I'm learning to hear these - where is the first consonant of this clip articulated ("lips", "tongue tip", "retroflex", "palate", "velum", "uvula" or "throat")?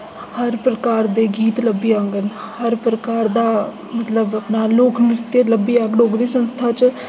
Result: throat